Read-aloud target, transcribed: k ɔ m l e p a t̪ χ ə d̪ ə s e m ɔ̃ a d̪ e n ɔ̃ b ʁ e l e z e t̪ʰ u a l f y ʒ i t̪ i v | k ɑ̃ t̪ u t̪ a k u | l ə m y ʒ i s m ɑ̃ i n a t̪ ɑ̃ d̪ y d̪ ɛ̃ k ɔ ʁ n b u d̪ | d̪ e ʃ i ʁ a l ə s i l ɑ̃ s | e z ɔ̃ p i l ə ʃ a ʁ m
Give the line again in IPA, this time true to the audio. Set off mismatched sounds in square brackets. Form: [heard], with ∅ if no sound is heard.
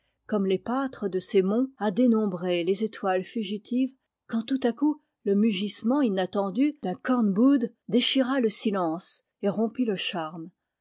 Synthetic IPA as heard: k ɔ m l e p a t̪ χ ə d̪ ə s e m ɔ̃ a d̪ e n ɔ̃ b ʁ e l e z e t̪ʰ [w] a l f y ʒ i t̪ i v | k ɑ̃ t̪ u t̪ a k u | l ə m y ʒ i s m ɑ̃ i n a t̪ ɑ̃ d̪ y d̪ ɛ̃ k ɔ ʁ n b u d̪ | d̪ e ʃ i ʁ a l ə s i l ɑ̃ s | e [ʁ] ɔ̃ p i l ə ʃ a ʁ m

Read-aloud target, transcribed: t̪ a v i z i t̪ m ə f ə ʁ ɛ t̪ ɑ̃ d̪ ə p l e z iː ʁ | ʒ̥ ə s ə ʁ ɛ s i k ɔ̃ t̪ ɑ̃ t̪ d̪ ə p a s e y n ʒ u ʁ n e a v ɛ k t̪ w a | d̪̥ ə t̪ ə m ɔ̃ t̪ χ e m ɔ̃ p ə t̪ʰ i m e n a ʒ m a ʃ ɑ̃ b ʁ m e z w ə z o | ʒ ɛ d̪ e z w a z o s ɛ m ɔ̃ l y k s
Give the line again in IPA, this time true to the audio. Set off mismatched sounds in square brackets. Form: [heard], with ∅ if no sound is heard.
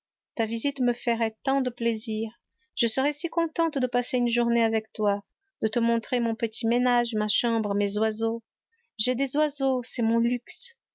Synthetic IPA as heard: t̪ a v i z i t̪ m ə f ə ʁ ɛ t̪ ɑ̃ d̪ ə p l e z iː ʁ | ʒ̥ ə s ə ʁ ɛ s i k ɔ̃ t̪ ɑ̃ t̪ d̪ ə p a s e y n ʒ u ʁ n e a v ɛ k t̪ w a | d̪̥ ə t̪ ə m ɔ̃ t̪ χ e m ɔ̃ p ə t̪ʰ i m e n a ʒ m a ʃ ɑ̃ b ʁ m e z w [a] z o | ʒ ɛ d̪ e z w a z o s ɛ m ɔ̃ l y k s

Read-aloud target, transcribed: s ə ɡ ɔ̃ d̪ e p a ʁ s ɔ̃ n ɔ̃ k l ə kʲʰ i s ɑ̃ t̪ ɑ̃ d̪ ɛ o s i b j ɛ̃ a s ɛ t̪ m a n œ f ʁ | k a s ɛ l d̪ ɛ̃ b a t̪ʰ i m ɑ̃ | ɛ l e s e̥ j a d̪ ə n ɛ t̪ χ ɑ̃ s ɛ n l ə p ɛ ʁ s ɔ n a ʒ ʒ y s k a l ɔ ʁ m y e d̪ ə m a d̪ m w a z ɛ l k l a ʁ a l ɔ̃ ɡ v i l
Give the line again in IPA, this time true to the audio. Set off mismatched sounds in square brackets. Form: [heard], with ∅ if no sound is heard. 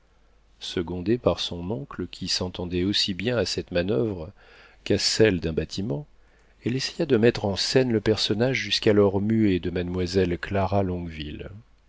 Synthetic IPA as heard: s ə ɡ ɔ̃ d̪ e p a ʁ s ɔ̃ n ɔ̃ k l ə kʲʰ i s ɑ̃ t̪ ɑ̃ d̪ ɛ o s i b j ɛ̃ a s ɛ t̪ m a n œ [v] ʁ | k a s ɛ l d̪ ɛ̃ b a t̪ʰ i m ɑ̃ | ɛ l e s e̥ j a d̪ ə [m] ɛ t̪ χ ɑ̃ s ɛ n l ə p ɛ ʁ s ɔ n a ʒ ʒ y s k a l ɔ ʁ m y e d̪ ə m a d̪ m w a z ɛ l k l a ʁ a l ɔ̃ ɡ v i l

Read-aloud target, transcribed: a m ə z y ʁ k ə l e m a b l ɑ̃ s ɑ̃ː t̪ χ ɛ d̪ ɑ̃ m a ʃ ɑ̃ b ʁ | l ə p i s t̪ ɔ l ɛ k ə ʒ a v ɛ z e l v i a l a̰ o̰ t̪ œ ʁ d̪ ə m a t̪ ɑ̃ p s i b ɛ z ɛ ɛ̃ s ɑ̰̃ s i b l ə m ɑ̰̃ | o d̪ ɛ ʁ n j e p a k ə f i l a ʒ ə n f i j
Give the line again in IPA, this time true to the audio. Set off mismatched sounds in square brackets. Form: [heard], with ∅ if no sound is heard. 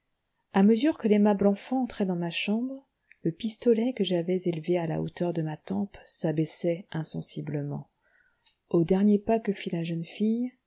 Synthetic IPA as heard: a m ə z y ʁ k ə l e m a b l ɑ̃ [f] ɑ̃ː t̪ χ ɛ d̪ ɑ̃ m a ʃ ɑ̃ b ʁ | l ə p i s t̪ ɔ l ɛ k ə ʒ a v ɛ z e l v [e] a l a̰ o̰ t̪ œ ʁ d̪ ə m a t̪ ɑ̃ p s [a] b ɛ [s] ɛ ɛ̃ s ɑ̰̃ s i b l ə m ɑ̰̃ | o d̪ ɛ ʁ n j e p a k ə f i l a ʒ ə n f i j

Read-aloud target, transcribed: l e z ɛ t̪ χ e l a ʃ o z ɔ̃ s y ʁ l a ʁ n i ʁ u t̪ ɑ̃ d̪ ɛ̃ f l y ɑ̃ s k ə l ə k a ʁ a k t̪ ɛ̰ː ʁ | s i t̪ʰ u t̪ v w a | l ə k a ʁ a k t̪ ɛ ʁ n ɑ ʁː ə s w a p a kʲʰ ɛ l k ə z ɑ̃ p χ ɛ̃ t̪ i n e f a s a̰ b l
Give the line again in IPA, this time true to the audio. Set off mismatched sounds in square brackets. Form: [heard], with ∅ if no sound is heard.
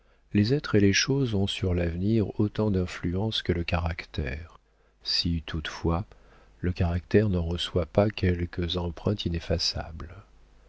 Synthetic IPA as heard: l e z ɛ t̪ χ e l [e] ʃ o z ɔ̃ s y ʁ l a [v] n i ʁ [o] t̪ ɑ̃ d̪ ɛ̃ f l y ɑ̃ s k ə l ə k a ʁ a k t̪ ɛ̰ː ʁ | s i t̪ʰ u t̪ [f] w a | l ə k a ʁ a k t̪ ɛ ʁ n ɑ [ʁ] ə s w a p a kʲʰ ɛ l k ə z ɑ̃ p χ ɛ̃ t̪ i n e f a s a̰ b l

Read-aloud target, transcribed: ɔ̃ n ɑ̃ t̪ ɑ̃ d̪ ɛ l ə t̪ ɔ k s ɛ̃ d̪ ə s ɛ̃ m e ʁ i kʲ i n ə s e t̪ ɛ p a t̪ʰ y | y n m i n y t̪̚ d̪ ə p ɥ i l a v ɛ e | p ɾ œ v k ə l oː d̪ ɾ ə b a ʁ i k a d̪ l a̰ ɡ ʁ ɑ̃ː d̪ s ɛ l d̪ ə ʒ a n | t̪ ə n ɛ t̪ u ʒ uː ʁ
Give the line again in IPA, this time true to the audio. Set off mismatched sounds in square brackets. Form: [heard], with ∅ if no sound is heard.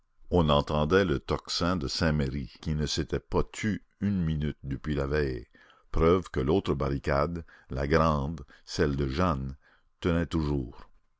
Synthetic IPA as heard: ɔ̃ n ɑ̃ t̪ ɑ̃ d̪ ɛ l ə t̪ ɔ k s ɛ̃ d̪ ə s ɛ̃ m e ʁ i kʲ i n ə s e t̪ ɛ p a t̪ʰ y | y n m i n y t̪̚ d̪ ə p ɥ i l a v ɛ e | p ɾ œ v k ə l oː [t̪] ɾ ə b a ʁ i k a d̪ l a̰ ɡ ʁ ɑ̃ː d̪ s ɛ l d̪ ə ʒ a n | t̪ ə n ɛ t̪ u ʒ uː ʁ

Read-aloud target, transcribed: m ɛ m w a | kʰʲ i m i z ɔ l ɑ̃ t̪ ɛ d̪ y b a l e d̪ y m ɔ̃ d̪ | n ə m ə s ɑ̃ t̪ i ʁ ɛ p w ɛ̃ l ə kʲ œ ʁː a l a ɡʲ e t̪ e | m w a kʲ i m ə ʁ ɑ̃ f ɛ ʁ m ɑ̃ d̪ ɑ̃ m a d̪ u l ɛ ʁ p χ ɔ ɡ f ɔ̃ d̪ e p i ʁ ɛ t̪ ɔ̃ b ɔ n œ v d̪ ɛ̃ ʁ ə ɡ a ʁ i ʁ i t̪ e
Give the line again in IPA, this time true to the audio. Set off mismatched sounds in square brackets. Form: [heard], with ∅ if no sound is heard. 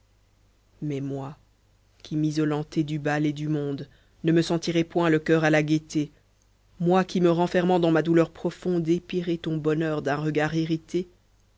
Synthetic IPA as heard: m ɛ m w a | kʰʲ i m i z ɔ l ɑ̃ t̪ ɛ d̪ y b a l e d̪ y m ɔ̃ d̪ | n ə m ə s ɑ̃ t̪ i ʁ ɛ p w ɛ̃ l ə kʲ œ [ʁ] a l a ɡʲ e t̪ e | m w a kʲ i m ə ʁ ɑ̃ f ɛ ʁ m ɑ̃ d̪ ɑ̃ m a d̪ u l [œ] ʁ p χ ɔ [∅] f ɔ̃ d̪ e p i ʁ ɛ t̪ ɔ̃ b ɔ n œ [ʁ] d̪ ɛ̃ ʁ ə ɡ a ʁ i ʁ i t̪ e

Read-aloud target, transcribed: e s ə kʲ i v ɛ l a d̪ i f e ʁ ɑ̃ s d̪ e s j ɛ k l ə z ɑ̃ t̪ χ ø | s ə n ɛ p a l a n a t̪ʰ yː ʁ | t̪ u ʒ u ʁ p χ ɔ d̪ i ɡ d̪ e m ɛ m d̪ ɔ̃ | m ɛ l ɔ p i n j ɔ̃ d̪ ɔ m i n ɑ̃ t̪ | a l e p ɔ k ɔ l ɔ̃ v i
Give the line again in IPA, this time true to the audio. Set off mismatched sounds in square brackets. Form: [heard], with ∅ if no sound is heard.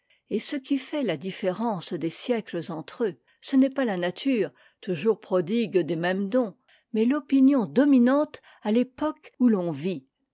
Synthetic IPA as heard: e s ə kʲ i [f] ɛ l a d̪ i f e ʁ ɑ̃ s d̪ e s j ɛ k l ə z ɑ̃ t̪ χ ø | s ə n ɛ p a l a n a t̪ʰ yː ʁ | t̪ u ʒ u ʁ p χ ɔ d̪ i ɡ d̪ e m ɛ m d̪ ɔ̃ | m ɛ l ɔ p i n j ɔ̃ d̪ ɔ m i n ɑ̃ t̪ | a l e p ɔ k [u] l ɔ̃ v i

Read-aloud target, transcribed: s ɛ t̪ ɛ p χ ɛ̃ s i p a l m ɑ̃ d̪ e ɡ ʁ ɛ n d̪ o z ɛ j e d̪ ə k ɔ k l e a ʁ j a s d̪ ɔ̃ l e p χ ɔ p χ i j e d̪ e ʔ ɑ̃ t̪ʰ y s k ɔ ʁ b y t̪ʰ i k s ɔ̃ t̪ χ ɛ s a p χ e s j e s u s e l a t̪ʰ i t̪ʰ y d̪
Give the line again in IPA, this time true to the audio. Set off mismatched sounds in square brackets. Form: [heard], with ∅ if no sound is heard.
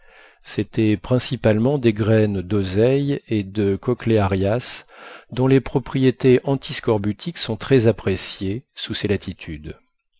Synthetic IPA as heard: s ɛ t̪ ɛ p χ ɛ̃ s i p a l m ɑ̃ d̪ e ɡ ʁ ɛ n d̪ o z ɛ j e d̪ ə k ɔ k l e a ʁ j a s d̪ ɔ̃ l e p χ ɔ p χ i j e [t̪] e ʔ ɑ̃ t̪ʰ [i] s k ɔ ʁ b y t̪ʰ i k s ɔ̃ t̪ χ ɛ [z] a p χ e s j e s u s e l a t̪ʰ i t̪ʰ y d̪

